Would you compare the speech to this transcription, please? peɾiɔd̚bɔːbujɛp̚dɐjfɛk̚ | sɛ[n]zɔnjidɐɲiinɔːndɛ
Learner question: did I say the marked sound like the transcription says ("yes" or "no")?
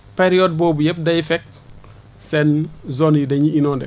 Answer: yes